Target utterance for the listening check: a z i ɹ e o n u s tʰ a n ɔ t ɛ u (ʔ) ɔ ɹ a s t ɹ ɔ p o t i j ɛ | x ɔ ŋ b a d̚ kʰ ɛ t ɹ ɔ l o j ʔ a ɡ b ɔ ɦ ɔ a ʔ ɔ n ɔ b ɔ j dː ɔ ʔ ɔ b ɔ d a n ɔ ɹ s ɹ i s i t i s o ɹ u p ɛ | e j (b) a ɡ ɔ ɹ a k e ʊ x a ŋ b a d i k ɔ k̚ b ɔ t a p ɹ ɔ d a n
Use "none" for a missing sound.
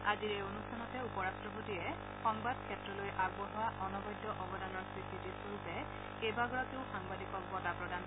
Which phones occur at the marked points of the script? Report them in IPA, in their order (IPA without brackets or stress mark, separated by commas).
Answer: p, b